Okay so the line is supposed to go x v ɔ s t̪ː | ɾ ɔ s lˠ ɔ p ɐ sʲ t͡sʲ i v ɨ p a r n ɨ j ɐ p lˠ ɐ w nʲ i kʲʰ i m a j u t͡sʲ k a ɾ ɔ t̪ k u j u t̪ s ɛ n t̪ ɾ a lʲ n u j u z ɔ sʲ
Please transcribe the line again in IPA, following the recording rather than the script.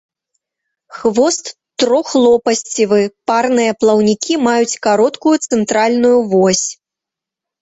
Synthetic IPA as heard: x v ɔ s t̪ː | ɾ ɔ x lˠ ɔ p ɐ sʲ t͡sʲ i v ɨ p a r n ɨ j ɐ p lˠ ɐ w nʲ i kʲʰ i m a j u t͡sʲ k a ɾ ɔ t̪ k u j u t̪ s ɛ n t̪ ɾ a lʲ n u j u v ɔ sʲ